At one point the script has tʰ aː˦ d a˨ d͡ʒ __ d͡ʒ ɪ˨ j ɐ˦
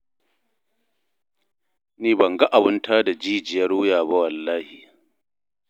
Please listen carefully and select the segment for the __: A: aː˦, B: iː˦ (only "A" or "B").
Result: B